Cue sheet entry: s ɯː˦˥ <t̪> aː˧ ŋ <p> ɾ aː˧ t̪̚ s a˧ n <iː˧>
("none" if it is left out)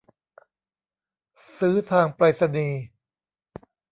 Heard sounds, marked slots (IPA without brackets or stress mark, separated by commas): t̪ʰ, p, iː˧